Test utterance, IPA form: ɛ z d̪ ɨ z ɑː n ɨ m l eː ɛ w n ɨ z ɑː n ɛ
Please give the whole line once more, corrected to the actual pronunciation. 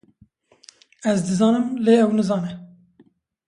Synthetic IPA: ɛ z d̪ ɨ z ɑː n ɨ m l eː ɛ w n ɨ z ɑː n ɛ